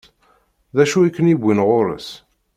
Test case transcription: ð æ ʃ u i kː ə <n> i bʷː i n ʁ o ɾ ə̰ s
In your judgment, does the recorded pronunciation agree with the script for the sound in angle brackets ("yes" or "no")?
yes